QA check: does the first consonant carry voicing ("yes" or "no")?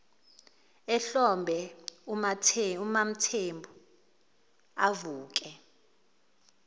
no